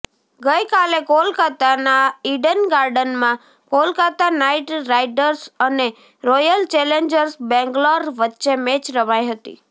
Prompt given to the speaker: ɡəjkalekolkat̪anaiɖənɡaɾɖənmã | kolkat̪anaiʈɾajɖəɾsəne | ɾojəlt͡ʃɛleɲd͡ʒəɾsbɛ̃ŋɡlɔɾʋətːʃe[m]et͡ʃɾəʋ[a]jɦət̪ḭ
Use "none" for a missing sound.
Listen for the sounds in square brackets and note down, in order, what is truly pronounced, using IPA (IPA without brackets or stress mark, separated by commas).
m, a